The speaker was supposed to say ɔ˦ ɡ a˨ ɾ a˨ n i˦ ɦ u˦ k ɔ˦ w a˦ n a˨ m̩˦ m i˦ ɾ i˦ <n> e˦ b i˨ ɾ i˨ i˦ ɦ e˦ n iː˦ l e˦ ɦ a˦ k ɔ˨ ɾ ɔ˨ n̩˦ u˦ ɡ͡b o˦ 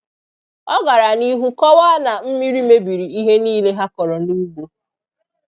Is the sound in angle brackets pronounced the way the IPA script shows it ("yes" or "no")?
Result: no